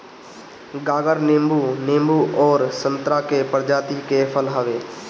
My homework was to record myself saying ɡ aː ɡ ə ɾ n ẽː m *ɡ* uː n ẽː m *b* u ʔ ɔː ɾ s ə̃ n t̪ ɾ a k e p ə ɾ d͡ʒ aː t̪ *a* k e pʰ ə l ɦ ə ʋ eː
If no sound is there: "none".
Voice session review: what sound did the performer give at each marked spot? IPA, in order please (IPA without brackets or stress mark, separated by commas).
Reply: b, b, i